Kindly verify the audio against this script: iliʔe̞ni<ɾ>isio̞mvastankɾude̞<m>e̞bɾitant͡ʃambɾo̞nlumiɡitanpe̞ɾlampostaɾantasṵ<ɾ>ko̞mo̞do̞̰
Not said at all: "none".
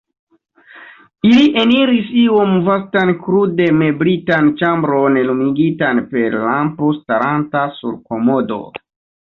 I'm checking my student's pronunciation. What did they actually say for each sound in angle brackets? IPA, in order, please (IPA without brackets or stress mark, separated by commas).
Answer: ɾ, m, ɾ